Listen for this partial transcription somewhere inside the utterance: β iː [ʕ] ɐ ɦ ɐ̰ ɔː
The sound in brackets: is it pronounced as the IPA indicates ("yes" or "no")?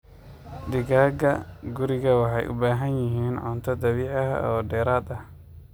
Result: yes